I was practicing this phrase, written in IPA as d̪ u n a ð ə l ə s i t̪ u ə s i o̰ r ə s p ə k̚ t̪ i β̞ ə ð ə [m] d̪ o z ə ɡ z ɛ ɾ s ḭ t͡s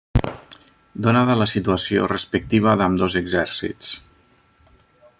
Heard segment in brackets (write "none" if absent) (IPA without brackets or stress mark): m